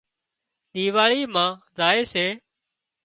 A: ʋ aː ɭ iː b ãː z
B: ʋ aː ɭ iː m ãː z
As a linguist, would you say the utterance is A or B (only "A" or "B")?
B